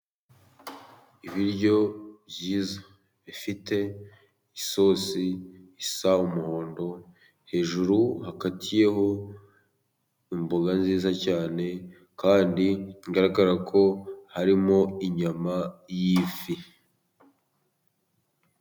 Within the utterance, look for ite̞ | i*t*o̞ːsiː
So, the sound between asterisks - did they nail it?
no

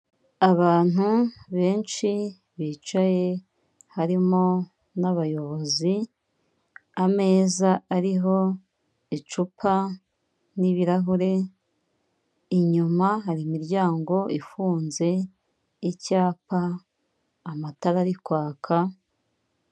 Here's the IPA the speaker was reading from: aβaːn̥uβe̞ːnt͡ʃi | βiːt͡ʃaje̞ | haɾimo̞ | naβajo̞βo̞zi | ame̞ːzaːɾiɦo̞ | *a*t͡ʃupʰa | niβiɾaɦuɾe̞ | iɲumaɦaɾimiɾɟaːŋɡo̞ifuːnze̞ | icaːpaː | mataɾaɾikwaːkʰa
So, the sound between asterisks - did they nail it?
no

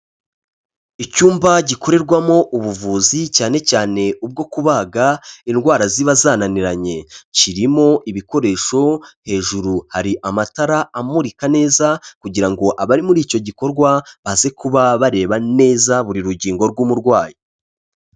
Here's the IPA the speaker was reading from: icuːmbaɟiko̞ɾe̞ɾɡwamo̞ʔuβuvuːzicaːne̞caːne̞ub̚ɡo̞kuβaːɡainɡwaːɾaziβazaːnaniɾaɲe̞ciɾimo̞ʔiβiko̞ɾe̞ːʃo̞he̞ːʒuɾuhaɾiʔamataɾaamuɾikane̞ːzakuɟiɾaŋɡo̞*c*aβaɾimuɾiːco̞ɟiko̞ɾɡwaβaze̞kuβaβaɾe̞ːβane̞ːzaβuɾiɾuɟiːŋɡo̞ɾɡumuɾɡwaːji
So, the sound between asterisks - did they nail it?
no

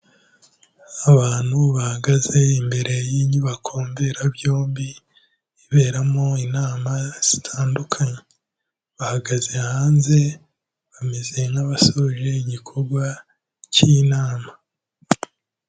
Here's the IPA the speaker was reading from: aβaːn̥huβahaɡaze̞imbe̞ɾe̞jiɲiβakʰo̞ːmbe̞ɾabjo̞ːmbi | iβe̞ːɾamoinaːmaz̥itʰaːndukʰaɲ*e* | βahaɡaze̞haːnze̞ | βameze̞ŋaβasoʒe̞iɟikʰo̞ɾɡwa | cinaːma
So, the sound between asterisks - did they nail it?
yes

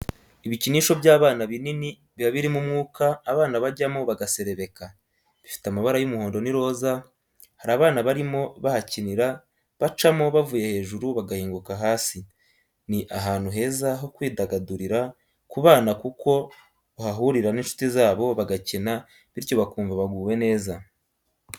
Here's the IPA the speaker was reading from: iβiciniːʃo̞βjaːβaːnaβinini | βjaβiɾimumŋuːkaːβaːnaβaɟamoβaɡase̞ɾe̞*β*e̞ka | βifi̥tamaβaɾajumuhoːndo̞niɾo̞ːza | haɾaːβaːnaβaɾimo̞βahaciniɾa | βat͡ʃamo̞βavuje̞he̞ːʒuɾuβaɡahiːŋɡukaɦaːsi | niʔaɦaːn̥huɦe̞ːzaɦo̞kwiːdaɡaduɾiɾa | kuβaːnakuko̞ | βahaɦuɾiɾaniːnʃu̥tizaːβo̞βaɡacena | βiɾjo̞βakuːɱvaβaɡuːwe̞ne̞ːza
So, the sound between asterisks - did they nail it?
yes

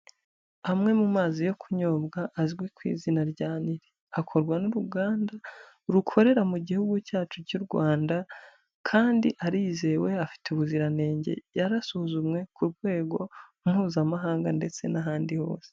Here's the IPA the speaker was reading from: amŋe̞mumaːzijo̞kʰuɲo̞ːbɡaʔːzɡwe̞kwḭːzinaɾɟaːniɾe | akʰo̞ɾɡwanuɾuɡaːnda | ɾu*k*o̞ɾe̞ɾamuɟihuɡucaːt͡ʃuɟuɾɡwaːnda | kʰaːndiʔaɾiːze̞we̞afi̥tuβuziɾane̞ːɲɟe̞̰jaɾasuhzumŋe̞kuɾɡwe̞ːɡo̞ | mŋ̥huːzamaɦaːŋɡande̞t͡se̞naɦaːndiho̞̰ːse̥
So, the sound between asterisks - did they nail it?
no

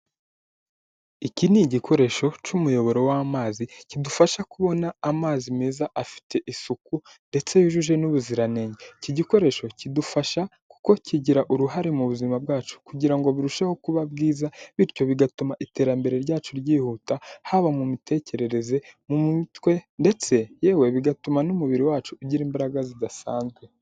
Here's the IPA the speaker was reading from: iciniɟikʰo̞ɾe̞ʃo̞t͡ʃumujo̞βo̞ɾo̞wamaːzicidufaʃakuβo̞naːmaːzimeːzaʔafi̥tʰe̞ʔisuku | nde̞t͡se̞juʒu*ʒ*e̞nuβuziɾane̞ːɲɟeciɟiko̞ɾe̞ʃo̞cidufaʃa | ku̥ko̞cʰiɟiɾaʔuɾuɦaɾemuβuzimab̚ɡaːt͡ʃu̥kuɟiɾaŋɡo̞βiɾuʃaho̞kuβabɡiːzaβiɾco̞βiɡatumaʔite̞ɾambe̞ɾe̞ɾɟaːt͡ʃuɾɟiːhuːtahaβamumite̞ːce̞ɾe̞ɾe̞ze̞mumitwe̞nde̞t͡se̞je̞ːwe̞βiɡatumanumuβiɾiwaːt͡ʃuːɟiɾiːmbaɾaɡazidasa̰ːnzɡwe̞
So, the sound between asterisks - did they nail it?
yes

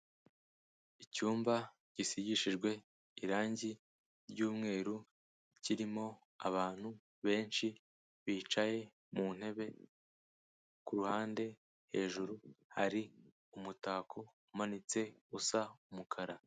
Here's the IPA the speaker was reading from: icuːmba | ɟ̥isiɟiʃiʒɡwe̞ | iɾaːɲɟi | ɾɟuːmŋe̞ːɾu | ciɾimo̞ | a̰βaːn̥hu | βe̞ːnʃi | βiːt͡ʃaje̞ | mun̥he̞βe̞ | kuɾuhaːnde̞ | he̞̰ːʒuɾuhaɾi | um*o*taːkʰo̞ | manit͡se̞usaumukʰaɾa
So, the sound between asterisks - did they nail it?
no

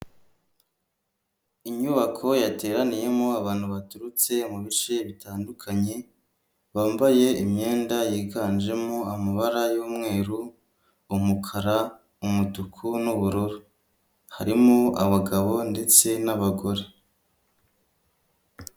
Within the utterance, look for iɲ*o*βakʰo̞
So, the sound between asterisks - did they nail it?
no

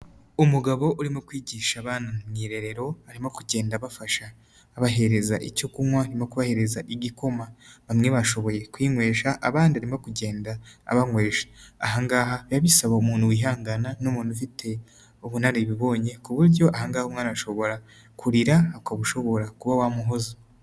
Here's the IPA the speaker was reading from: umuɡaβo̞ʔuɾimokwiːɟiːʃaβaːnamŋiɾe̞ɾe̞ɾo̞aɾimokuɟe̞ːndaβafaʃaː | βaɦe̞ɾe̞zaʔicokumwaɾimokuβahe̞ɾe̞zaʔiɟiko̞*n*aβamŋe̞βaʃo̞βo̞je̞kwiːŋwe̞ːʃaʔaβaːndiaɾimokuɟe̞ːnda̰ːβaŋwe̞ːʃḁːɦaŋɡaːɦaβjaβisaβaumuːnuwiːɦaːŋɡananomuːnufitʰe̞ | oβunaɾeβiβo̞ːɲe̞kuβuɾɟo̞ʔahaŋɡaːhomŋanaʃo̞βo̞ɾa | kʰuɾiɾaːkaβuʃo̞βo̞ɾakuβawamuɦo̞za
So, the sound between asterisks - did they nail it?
no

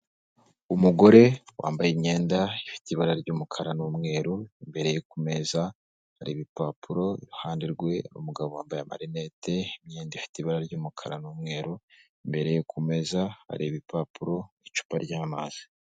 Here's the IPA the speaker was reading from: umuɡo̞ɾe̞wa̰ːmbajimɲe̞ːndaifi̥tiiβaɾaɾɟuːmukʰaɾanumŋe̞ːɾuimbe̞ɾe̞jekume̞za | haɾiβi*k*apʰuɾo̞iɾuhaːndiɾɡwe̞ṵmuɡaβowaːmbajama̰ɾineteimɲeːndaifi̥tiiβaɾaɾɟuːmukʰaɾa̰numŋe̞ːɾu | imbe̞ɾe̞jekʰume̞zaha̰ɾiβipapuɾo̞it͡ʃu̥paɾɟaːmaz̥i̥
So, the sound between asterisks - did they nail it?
no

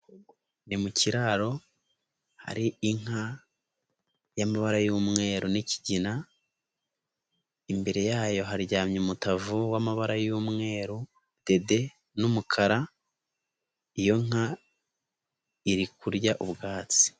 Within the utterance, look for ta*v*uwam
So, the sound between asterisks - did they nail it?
yes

